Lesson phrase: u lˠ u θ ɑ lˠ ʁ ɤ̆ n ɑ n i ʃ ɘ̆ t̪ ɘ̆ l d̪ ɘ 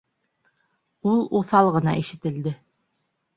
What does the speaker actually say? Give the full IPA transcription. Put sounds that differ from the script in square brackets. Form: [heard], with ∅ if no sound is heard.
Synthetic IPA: u lˠ u θ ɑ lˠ ʁ ɤ̆ n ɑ [∅] i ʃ ɘ̆ t̪ ɘ̆ l d̪ ɘ